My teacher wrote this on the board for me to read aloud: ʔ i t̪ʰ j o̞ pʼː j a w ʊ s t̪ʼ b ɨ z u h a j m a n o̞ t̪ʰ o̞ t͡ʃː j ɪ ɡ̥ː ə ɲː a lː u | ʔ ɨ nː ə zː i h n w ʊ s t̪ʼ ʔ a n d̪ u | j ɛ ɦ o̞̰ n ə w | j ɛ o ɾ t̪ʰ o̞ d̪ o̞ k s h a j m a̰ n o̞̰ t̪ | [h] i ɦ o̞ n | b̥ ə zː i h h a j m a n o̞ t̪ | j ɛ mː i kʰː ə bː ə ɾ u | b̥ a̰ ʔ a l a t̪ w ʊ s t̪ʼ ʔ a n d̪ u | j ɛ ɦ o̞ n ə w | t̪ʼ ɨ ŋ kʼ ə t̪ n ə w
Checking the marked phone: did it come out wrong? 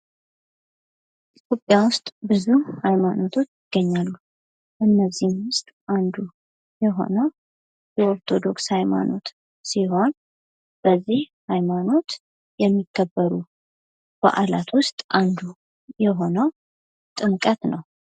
yes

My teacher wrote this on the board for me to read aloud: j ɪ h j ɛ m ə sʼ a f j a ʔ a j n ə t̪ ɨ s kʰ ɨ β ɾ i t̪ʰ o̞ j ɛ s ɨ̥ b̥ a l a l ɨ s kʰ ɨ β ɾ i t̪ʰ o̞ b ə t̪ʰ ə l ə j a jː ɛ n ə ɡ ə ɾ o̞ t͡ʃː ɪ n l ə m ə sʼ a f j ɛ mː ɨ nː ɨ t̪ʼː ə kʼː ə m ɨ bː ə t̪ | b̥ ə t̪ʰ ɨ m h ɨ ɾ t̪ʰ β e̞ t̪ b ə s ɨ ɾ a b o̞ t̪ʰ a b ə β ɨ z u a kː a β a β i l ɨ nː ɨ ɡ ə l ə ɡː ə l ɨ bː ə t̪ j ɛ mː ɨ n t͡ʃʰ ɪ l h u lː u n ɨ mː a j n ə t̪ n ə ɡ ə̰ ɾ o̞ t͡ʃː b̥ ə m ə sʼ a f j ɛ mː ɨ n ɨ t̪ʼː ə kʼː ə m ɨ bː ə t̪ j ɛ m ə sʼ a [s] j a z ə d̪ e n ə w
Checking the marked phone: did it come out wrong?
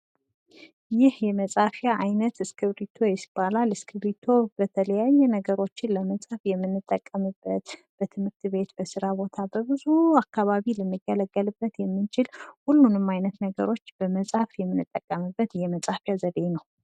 yes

